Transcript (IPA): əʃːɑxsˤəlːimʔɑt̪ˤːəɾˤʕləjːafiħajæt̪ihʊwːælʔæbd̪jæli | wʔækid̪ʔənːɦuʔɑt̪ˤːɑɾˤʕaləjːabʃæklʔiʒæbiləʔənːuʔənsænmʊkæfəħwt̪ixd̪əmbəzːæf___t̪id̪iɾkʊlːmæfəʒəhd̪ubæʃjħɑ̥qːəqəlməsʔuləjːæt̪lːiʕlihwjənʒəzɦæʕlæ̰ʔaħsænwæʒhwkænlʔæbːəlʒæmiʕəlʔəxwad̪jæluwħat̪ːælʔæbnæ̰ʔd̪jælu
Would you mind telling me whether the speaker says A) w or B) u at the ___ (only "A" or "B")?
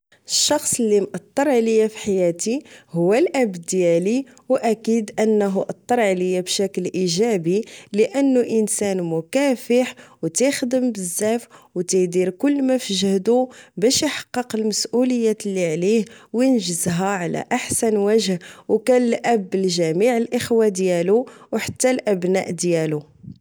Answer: A